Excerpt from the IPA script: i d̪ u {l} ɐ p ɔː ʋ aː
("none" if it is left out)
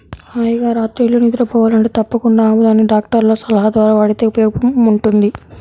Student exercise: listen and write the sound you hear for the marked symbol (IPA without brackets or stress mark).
ɾ